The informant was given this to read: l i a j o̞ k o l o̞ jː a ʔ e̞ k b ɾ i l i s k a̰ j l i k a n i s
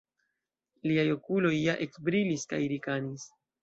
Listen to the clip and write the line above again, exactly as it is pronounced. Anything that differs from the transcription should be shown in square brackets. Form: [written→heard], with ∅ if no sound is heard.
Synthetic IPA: l i a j o̞ k [o→u] l o̞ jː a ʔ e̞ k b ɾ i l i s k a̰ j [l→ɾ] i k a n i s